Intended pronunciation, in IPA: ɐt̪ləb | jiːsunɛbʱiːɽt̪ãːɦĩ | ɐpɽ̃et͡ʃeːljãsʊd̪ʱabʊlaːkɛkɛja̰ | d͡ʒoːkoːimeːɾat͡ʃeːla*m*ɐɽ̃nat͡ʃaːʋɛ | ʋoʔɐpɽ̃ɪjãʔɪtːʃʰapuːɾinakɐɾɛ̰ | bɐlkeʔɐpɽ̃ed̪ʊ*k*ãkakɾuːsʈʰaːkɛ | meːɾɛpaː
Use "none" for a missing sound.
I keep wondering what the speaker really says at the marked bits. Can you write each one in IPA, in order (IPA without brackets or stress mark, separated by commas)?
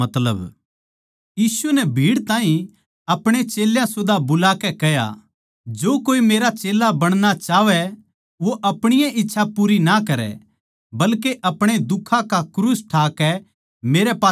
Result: b, kʰ